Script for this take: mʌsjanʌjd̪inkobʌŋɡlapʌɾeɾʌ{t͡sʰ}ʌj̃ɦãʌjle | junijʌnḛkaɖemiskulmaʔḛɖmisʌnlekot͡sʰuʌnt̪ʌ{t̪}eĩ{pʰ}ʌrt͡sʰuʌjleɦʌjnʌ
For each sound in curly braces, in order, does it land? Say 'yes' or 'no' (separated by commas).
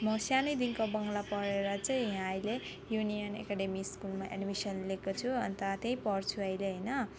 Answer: no, yes, no